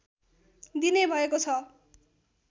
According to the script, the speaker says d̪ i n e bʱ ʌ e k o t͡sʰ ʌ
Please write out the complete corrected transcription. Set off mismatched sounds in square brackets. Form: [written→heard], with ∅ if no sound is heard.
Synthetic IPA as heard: d̪ i n e bʱ ʌ e k o t͡sʰ ʌ